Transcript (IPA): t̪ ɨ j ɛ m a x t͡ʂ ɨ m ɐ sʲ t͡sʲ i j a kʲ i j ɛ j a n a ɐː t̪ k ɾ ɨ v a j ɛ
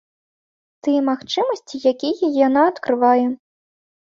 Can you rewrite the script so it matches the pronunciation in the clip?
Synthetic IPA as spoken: t̪ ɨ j ɛ m a x t͡ʂ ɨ m ɐ sʲ t͡sʲ i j a kʲ i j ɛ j a n a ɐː t̪ k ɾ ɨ v a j ɛ